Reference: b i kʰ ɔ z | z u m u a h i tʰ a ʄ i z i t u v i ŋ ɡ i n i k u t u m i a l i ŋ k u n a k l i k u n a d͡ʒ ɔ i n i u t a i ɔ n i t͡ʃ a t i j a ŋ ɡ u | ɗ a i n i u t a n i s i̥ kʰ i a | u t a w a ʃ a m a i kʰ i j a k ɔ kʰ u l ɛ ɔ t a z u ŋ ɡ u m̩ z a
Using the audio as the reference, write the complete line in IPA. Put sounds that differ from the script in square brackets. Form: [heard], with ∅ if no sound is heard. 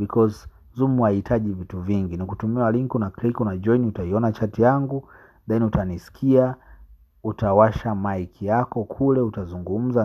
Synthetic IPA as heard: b i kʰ ɔ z | z u m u a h i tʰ a ʄ i [v] i t u v i ŋ ɡ i n i k u t u m i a l i ŋ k u n a k l i k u n a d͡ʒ ɔ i n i u t a i ɔ n [a] t͡ʃ a t i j a ŋ ɡ u | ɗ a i n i u t a n i s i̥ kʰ i a | u t a w a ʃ a m a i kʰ i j a k ɔ kʰ u l ɛ [u] t a z u ŋ ɡ u m̩ z a